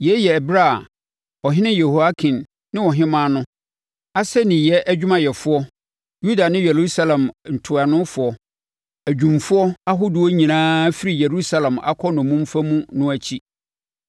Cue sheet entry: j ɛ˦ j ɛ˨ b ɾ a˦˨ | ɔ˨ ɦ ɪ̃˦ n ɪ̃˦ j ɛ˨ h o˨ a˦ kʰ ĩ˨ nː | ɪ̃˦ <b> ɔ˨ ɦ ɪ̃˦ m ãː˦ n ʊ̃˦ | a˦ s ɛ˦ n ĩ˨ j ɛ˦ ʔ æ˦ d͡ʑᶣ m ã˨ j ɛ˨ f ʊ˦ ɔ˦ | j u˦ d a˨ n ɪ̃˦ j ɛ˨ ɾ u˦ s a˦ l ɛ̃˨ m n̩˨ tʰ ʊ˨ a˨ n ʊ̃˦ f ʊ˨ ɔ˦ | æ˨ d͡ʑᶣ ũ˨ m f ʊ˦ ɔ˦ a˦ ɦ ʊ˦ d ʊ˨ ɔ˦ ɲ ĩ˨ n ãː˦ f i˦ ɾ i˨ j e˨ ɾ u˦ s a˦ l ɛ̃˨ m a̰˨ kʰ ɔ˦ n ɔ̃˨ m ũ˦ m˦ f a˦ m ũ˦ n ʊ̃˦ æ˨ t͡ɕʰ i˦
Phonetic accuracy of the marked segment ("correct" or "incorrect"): incorrect